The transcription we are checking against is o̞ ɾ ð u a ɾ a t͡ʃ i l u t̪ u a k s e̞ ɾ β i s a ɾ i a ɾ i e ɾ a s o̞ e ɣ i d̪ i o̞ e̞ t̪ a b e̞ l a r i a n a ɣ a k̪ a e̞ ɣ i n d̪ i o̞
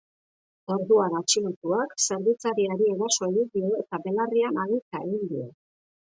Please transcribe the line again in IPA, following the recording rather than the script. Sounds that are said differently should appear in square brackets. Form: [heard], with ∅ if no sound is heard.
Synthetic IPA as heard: o̞ ɾ ð u a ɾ a t͡ʃ i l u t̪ u a k s e̞ ɾ β i [t͡s] a ɾ i a ɾ i e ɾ a s o̞ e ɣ i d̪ i o̞ e̞ t̪ a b e̞ l a r i a n a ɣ [i] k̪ a e̞ ɣ i n d̪ i o̞